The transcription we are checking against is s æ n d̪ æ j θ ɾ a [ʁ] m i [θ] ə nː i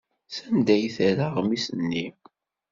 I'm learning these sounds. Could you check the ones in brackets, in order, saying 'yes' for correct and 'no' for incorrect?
yes, no

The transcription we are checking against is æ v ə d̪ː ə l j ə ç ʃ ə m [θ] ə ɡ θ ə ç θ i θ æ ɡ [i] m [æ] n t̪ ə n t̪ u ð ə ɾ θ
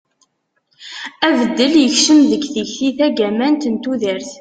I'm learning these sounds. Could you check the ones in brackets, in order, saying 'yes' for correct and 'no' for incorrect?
no, no, yes

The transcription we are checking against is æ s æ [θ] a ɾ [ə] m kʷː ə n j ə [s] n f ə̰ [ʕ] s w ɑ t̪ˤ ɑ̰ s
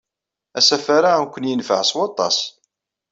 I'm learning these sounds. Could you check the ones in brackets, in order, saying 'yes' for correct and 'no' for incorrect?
no, no, no, yes

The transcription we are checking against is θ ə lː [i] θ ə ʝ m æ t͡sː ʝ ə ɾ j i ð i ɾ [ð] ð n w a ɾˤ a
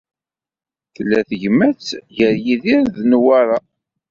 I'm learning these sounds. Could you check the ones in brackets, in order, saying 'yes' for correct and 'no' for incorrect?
no, yes

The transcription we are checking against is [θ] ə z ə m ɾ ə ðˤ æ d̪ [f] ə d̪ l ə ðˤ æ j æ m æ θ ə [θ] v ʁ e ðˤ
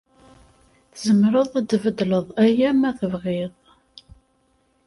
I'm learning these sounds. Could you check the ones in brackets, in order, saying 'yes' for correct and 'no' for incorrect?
yes, no, no

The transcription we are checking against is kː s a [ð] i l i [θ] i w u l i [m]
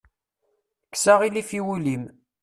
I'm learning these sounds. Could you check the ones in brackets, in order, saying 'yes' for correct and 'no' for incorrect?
no, no, yes

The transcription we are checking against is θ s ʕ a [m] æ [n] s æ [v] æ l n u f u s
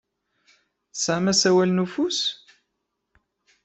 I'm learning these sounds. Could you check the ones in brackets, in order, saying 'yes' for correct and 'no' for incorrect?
yes, no, no

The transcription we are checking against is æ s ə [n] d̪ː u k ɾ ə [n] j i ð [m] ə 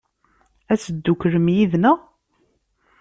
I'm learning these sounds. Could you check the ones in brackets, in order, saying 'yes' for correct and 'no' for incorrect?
no, no, no

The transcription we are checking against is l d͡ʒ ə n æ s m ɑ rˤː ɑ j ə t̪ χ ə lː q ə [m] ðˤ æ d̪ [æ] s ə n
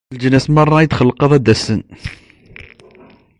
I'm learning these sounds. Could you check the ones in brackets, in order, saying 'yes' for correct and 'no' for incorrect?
no, yes

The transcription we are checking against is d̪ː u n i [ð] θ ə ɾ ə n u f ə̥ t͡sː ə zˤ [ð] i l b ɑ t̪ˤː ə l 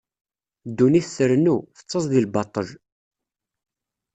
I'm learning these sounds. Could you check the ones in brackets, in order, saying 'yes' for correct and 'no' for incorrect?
no, yes

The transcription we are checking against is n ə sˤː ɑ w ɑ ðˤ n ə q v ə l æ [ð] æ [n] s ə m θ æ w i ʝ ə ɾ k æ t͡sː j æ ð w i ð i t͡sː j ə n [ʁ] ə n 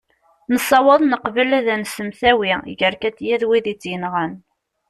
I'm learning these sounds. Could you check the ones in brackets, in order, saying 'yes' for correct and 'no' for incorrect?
yes, yes, yes

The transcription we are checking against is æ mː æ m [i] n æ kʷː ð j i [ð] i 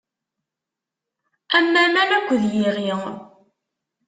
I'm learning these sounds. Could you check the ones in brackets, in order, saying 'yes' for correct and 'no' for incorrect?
no, no

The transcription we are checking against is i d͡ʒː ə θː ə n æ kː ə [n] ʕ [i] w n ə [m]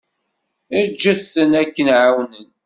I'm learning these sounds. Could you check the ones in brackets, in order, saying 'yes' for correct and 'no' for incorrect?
yes, no, no

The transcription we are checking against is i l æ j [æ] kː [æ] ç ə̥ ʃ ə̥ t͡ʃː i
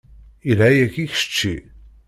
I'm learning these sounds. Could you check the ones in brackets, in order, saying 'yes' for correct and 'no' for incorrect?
yes, no

